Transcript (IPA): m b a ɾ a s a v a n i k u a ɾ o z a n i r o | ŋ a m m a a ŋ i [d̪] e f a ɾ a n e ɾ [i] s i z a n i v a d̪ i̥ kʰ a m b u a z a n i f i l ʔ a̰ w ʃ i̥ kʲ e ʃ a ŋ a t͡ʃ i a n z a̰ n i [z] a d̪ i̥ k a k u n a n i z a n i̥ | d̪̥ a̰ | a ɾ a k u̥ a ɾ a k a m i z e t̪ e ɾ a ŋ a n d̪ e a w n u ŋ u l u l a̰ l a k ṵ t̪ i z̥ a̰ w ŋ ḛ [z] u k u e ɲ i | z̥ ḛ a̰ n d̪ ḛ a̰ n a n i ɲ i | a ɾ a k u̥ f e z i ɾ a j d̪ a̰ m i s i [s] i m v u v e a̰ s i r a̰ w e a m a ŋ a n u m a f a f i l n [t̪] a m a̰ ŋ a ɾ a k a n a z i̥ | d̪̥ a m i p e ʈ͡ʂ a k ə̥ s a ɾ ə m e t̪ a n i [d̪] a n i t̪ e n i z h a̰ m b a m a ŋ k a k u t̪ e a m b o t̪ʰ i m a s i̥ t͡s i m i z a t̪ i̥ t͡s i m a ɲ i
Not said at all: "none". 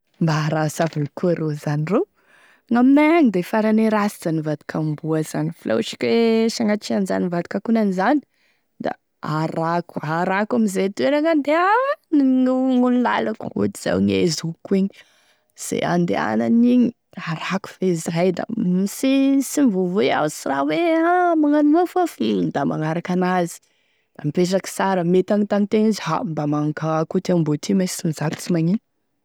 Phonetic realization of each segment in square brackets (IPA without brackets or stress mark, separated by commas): d̪, a, v, z, s, d̪, t̪